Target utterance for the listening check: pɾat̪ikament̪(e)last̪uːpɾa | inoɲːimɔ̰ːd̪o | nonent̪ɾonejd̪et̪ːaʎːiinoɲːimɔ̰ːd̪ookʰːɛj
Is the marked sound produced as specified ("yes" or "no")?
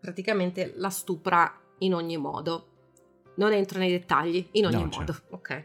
yes